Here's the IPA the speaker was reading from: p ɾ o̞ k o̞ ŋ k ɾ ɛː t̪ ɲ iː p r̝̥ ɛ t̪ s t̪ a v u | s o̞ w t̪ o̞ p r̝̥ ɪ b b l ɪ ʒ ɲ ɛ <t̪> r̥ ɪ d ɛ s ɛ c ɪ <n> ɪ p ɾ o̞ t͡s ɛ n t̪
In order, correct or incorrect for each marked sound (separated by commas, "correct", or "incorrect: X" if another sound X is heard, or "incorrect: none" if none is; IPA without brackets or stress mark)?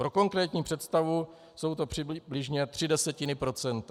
correct, correct